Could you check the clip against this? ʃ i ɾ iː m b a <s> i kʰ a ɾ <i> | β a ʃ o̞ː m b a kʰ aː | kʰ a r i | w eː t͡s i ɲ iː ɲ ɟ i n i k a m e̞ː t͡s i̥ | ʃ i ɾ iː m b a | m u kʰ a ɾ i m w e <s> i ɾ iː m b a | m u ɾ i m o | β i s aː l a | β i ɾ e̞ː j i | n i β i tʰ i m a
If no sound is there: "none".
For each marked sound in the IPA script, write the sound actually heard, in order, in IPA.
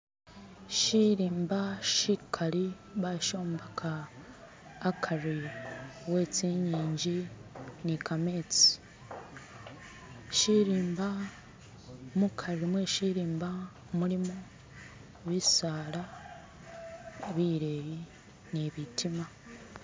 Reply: ʃ, i, ʃ

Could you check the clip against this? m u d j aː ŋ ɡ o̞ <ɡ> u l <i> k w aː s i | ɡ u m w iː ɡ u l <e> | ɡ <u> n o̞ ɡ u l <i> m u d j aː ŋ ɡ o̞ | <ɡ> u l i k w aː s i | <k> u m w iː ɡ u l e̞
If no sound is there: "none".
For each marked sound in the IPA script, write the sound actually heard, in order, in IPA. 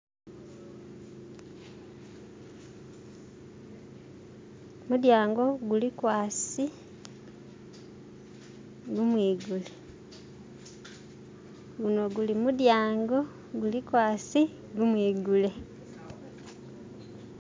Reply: ɡ, i, e, u, i, ɡ, ɡ

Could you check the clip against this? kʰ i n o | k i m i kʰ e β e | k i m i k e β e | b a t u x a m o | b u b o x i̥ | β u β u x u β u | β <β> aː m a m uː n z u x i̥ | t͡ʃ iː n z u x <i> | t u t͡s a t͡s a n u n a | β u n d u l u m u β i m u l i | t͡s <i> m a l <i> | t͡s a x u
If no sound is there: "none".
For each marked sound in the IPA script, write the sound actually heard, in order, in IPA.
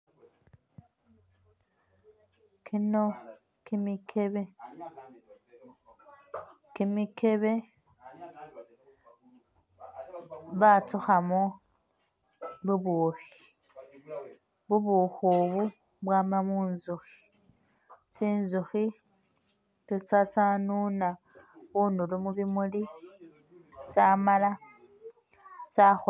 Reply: w, i, a, a

